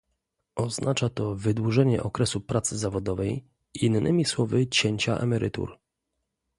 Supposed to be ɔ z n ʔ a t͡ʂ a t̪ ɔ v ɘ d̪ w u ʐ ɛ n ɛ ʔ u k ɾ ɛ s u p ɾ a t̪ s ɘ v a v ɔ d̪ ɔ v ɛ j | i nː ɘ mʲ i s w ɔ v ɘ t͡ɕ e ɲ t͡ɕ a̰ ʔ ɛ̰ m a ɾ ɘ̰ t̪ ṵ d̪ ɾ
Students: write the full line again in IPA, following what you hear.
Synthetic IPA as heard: ɔ z n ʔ a t͡ʂ a t̪ ɔ v ɘ d̪ w u ʐ ɛ ɲ ɛ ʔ ɔ k ɾ ɛ s u p ɾ a t̪ s ɘ z a v ɔ d̪ ɔ v ɛ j | i nː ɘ mʲ i s w ɔ v ɘ t͡ɕ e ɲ t͡ɕ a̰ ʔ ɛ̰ m ɛ ɾ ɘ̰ t̪ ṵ ɾ